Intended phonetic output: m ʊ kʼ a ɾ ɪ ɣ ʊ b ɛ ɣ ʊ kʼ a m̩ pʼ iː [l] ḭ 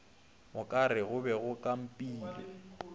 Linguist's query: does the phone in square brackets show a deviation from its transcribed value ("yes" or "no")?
no